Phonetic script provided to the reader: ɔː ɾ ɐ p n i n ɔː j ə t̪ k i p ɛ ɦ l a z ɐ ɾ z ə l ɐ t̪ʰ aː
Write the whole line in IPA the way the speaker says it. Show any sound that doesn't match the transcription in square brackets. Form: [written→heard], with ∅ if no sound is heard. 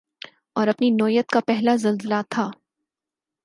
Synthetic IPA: ɔː ɾ ɐ p n i n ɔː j ə t̪ k [i→a] p ɛ ɦ l a z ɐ [ɾ→l] z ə l [ɐ→a] t̪ʰ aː